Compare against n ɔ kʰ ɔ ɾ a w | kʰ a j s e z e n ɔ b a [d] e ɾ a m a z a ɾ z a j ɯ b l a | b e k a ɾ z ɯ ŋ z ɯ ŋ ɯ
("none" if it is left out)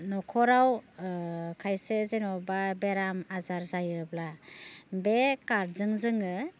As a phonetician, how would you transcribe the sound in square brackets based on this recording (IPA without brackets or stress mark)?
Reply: b